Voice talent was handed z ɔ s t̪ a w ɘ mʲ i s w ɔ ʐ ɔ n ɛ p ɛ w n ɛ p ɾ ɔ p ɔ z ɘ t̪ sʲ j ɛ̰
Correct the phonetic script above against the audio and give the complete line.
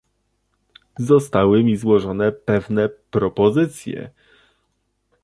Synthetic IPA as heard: z ɔ s t̪ a w ɘ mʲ i z w ɔ ʐ ɔ n ɛ p ɛ v n ɛ p ɾ ɔ p ɔ z ɘ t̪ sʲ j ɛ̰